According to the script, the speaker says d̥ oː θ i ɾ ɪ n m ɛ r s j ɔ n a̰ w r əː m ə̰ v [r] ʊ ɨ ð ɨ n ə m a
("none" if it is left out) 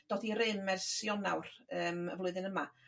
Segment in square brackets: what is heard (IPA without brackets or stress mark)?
l